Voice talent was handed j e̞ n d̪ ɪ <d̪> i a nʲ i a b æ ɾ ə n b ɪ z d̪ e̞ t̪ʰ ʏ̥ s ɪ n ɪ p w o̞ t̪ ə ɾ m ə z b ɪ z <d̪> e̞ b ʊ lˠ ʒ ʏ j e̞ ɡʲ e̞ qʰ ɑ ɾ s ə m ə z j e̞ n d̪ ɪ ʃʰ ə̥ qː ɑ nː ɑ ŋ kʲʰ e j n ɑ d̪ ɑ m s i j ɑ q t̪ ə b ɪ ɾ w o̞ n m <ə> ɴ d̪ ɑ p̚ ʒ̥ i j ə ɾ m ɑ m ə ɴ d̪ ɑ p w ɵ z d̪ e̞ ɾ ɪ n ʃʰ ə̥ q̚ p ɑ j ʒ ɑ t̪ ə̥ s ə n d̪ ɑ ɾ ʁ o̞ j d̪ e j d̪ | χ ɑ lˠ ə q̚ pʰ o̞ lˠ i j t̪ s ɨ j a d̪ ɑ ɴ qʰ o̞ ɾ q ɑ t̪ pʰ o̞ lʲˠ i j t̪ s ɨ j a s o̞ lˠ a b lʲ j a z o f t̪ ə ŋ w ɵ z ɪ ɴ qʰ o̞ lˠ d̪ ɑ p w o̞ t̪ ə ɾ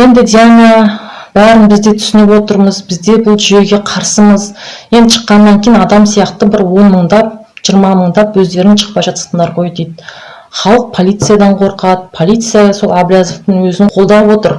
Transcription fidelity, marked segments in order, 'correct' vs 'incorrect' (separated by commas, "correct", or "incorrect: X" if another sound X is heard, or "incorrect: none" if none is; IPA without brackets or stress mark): correct, correct, correct